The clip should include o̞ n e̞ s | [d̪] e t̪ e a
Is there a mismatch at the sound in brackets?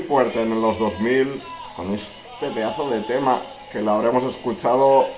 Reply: yes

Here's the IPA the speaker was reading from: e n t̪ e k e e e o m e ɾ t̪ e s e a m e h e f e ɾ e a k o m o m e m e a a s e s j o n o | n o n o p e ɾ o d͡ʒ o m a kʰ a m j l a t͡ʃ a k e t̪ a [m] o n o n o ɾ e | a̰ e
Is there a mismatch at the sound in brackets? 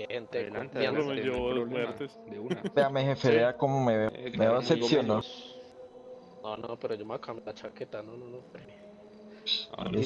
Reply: yes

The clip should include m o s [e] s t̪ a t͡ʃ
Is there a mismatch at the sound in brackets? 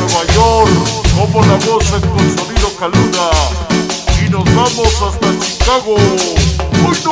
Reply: yes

